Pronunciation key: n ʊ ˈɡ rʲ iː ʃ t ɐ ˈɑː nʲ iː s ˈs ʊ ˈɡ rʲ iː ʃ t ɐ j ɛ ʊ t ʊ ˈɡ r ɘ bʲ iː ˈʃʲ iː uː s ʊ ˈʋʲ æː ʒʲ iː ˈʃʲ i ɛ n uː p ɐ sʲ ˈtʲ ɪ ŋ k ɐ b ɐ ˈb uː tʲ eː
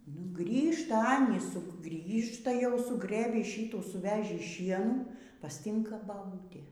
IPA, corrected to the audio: n ʊ ˈɡ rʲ iː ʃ t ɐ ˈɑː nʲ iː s ˈs ʊ ˈɡ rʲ iː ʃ t ɐ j ɛ ʊ s ʊ ˈɡ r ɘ bʲ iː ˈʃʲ iː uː s ʊ ˈʋʲ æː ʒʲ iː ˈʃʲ i ɛ n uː p ɐ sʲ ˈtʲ ɪ ŋ k ɐ b ɐ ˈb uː tʲ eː